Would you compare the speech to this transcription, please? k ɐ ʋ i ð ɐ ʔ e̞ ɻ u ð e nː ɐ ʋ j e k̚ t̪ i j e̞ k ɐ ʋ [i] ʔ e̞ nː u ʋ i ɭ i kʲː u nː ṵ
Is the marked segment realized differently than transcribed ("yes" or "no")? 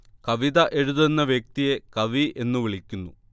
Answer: no